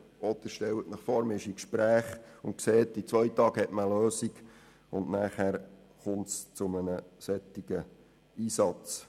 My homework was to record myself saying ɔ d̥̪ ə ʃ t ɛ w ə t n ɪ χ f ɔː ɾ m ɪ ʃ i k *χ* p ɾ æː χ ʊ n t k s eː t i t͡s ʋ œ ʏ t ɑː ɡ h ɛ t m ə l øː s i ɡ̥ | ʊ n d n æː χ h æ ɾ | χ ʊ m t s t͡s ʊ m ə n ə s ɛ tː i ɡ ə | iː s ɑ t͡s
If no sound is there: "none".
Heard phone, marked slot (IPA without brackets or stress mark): ʃ